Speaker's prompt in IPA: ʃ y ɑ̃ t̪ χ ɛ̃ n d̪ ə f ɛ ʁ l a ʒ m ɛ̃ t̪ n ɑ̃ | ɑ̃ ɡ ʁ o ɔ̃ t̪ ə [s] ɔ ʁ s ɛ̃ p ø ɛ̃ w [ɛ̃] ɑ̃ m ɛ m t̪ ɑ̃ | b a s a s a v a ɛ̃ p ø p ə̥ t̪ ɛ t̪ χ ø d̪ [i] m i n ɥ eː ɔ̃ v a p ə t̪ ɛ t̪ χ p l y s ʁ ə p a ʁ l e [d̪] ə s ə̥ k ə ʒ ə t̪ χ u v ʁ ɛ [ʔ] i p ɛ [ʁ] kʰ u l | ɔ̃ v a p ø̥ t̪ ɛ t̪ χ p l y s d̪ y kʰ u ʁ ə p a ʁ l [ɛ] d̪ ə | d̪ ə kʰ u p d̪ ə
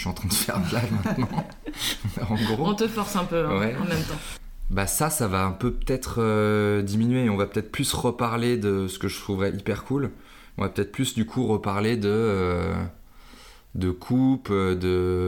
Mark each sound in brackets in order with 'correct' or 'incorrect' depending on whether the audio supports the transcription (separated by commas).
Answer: incorrect, incorrect, correct, correct, correct, correct, incorrect